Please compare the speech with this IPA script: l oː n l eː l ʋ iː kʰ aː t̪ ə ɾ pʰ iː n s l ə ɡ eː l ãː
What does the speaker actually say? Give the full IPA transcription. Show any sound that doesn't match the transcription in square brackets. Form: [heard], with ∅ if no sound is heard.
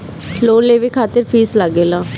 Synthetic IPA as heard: l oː n l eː [∅] ʋ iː kʰ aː t̪ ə ɾ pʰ iː [∅] s l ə ɡ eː l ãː